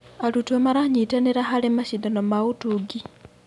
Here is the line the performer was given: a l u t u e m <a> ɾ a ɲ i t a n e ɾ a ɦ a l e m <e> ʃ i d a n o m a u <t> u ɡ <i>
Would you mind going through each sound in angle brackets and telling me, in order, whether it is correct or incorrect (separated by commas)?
correct, incorrect, correct, correct